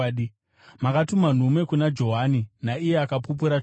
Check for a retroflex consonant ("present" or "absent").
absent